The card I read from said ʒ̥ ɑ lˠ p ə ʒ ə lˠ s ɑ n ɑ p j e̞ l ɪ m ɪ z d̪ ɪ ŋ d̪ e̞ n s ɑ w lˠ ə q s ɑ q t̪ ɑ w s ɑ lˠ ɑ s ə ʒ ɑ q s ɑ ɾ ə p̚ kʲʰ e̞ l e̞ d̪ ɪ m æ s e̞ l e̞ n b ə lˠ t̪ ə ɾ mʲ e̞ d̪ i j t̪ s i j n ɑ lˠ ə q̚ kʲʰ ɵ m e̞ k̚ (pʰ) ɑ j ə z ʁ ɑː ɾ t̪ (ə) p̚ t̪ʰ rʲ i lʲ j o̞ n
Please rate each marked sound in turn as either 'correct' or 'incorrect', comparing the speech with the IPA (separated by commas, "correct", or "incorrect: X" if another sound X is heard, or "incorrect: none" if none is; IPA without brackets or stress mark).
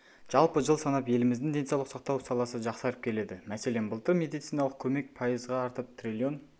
correct, correct